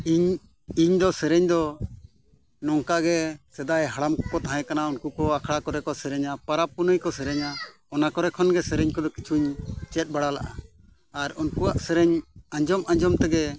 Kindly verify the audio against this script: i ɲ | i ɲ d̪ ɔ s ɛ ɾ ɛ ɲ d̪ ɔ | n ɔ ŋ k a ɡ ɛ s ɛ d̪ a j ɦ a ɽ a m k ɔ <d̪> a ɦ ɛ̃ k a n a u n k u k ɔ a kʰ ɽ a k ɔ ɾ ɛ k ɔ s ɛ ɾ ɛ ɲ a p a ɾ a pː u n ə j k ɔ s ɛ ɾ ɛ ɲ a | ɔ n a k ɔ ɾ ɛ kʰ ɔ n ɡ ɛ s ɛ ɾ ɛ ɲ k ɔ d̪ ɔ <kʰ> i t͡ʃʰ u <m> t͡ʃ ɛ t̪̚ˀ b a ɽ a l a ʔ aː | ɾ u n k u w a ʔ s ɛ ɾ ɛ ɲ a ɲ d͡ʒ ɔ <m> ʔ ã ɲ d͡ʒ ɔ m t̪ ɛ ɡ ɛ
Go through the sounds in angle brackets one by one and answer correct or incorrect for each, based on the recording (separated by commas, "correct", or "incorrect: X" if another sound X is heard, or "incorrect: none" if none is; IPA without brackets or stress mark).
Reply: incorrect: t̪, incorrect: k, incorrect: ɲ, correct